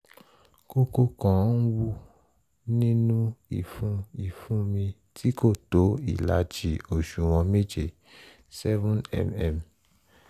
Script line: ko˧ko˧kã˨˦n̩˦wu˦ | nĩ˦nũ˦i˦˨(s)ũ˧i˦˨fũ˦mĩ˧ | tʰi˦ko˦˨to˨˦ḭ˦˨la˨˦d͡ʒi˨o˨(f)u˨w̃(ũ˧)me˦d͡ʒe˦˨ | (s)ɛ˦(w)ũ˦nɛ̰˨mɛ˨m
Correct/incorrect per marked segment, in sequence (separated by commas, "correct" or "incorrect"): incorrect, incorrect, incorrect, correct, incorrect